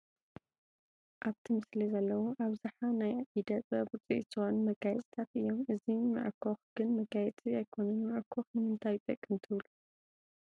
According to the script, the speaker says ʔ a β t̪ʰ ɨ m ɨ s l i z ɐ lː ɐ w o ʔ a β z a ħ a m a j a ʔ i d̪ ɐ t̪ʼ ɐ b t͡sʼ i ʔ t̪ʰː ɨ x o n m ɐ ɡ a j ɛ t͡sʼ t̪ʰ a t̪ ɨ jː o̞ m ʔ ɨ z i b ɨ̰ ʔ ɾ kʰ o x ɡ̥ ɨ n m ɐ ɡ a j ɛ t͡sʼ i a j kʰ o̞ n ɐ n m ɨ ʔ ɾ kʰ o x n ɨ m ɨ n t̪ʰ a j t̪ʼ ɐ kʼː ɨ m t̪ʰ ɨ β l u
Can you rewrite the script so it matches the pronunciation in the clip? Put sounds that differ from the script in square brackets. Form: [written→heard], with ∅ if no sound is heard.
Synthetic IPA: ʔ a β t̪ʰ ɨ m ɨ s l i z ɐ lː ɐ w o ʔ a β z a ħ a [m→n] a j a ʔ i d̪ ɐ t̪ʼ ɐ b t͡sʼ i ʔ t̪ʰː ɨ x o n m ɐ ɡ a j ɛ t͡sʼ t̪ʰ a t̪ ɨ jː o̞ m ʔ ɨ z i [b→m] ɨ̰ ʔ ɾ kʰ o x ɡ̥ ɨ n m ɐ ɡ a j ɛ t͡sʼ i a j kʰ o̞ n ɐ n m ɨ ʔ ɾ kʰ o x n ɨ m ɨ n t̪ʰ a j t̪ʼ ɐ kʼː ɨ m t̪ʰ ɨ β l u